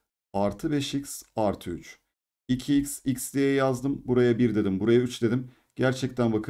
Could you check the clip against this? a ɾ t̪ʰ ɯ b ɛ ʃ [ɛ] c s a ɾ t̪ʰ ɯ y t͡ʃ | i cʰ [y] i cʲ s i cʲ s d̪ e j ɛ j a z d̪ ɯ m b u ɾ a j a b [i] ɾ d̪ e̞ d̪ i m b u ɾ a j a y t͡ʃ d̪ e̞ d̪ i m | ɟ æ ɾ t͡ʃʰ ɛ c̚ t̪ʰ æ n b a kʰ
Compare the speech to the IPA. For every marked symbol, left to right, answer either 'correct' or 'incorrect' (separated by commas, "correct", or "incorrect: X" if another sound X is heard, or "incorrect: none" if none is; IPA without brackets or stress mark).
incorrect: i, incorrect: i, correct